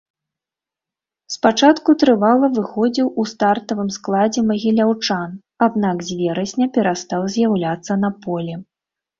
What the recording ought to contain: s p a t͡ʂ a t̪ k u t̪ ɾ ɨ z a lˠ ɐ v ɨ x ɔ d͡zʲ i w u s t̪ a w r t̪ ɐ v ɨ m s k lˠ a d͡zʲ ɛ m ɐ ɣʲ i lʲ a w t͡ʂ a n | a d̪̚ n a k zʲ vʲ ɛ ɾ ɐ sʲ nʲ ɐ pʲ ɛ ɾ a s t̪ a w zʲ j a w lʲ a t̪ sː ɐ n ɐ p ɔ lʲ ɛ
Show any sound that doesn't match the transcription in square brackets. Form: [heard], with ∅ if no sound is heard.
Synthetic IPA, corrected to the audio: s p a t͡ʂ a t̪ k u t̪ ɾ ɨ [v] a lˠ ɐ v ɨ x ɔ d͡zʲ i w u s t̪ a [∅] r t̪ ɐ v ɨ m s k lˠ a d͡zʲ ɛ m ɐ ɣʲ i lʲ a w t͡ʂ a n | a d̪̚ n a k zʲ vʲ ɛ ɾ ɐ sʲ nʲ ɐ pʲ ɛ ɾ a s t̪ a w zʲ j a w lʲ a t̪ sː ɐ n ɐ p ɔ lʲ ɛ